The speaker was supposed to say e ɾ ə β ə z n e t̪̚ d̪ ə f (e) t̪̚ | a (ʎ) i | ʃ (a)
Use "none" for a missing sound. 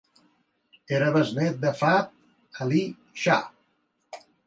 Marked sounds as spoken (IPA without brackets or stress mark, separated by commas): a, l, a